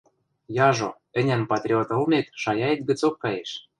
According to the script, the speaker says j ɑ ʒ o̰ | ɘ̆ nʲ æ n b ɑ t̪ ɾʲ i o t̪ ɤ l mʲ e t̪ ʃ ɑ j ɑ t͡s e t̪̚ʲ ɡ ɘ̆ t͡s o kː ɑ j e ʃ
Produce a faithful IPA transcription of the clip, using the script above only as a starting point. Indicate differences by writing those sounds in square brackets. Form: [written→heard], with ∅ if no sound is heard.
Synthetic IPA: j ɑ ʒ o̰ | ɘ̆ nʲ æ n [b→p] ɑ t̪ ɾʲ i o t̪ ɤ l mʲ e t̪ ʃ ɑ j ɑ [t͡s→∅] e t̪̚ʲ ɡ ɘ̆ t͡s o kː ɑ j e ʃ